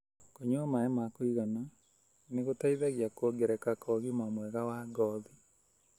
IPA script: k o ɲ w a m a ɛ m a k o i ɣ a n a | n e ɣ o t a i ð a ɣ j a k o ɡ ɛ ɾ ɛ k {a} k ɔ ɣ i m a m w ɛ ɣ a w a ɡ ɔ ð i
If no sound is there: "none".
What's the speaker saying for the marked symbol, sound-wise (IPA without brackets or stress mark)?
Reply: a